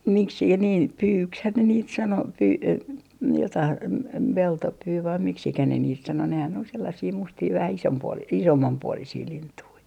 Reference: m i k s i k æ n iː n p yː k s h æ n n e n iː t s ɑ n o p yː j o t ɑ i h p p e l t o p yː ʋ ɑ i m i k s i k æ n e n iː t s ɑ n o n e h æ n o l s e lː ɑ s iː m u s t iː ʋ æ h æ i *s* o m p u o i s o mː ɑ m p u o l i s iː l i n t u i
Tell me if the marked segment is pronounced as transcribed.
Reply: yes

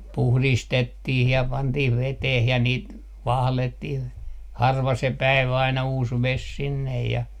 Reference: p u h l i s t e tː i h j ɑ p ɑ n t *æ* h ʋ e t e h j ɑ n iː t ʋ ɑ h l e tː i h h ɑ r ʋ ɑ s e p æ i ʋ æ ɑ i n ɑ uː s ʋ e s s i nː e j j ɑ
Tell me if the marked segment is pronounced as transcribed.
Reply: no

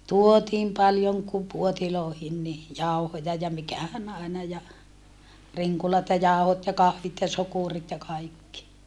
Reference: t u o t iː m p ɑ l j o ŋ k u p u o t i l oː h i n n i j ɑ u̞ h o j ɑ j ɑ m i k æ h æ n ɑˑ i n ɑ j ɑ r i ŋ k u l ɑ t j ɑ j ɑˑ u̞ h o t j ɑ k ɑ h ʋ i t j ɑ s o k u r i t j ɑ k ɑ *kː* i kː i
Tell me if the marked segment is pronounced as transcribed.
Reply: no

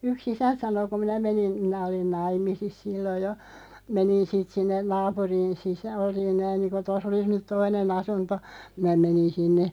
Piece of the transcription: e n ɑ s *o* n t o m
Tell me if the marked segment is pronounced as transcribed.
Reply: no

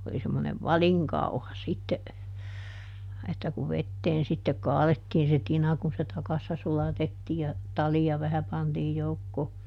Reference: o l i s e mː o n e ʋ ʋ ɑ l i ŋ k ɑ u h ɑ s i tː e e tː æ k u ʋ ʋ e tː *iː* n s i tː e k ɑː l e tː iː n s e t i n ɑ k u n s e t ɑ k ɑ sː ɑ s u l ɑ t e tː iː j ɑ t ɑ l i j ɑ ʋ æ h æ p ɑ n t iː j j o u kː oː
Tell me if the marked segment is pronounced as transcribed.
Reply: no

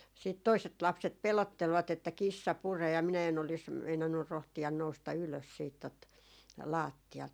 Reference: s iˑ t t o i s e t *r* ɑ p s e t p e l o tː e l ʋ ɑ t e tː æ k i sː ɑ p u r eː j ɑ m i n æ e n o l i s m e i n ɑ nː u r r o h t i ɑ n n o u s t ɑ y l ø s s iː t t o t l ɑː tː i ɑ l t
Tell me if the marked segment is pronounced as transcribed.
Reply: no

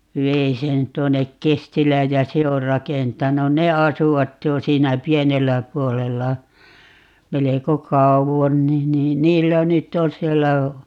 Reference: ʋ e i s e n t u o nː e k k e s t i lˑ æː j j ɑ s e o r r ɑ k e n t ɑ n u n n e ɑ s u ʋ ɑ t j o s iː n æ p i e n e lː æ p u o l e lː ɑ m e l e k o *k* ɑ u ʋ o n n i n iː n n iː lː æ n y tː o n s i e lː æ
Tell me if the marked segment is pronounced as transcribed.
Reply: yes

